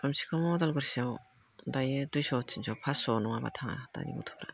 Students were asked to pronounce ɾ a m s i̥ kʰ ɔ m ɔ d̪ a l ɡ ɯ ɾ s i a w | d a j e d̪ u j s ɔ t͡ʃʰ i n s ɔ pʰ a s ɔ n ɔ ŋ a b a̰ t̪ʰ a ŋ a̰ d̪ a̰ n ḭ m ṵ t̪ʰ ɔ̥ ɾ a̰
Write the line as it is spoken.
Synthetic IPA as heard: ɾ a m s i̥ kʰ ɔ m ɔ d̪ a l ɡ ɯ ɾ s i a w | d a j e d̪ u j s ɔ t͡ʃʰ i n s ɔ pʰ a s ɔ n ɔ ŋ a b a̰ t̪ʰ a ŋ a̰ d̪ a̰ n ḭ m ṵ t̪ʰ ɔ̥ ɾ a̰